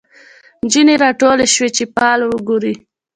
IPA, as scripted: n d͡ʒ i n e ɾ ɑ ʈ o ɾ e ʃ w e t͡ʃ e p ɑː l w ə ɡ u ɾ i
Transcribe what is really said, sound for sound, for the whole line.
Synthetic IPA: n d͡ʒ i n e ɾ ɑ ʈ o l e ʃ w e t͡ʃ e p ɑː l w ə ɡ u ɾ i